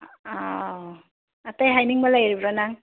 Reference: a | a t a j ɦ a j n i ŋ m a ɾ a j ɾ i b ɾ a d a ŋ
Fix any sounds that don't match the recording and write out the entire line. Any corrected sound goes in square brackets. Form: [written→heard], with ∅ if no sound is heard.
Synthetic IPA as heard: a | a t a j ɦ a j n i ŋ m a [ɾ→l] a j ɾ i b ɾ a [d→n] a ŋ